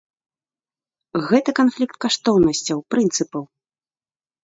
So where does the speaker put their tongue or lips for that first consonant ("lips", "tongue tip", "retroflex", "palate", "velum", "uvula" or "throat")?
velum